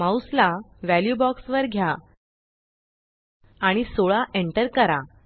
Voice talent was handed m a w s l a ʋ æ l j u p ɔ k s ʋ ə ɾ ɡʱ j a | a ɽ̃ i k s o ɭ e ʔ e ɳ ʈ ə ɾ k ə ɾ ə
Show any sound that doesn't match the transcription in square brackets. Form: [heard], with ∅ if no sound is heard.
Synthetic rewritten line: m a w s l a ʋ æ l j u [b] ɔ k s ʋ ə ɾ ɡʱ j a | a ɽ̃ i [∅] s o ɭ [a] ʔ e ɳ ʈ ə ɾ k ə ɾ [a]